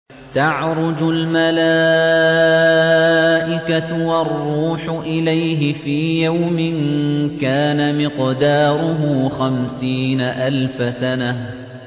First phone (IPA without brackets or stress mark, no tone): t̪